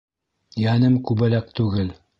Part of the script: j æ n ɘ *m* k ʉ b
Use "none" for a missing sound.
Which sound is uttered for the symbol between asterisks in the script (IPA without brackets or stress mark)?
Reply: m